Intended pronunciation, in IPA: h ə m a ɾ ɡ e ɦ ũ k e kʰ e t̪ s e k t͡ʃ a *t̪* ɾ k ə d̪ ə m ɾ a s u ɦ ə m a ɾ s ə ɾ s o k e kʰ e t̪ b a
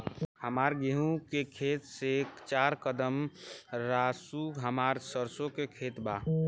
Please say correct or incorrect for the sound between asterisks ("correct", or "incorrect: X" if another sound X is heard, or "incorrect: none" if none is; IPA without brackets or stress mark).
incorrect: none